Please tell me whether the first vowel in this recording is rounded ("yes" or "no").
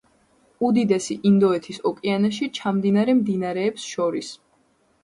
yes